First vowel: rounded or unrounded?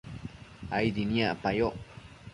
unrounded